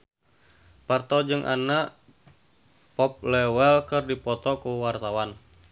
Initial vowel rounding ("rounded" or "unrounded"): unrounded